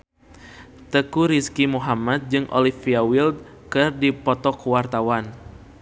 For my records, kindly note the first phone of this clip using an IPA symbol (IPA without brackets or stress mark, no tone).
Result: t̪